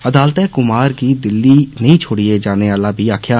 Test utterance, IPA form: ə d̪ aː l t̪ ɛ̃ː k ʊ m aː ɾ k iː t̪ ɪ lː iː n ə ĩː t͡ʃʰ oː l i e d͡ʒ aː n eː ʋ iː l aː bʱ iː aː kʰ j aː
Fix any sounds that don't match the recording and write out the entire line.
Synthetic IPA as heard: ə d̪ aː l t̪ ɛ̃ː k ʊ m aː ɾ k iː d̪ ɪ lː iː n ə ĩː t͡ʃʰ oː ɽ i e d͡ʒ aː n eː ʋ aː l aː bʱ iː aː kʰ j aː